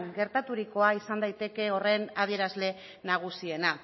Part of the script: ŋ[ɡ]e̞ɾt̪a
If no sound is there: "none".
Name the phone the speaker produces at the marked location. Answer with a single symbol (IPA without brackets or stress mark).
ɡ